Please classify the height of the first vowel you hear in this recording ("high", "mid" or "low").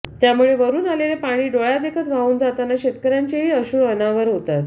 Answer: low